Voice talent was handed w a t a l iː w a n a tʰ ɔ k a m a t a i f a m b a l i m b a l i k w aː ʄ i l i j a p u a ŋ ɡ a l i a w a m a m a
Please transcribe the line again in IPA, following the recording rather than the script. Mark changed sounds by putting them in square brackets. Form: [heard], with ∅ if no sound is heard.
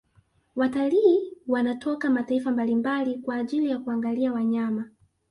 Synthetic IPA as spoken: w a t a l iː w a n a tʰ ɔ k a m a t a i f a m b a l i m b a l i k w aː ʄ i l i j a [k] u a ŋ ɡ a l i a w a [ɲ] a m a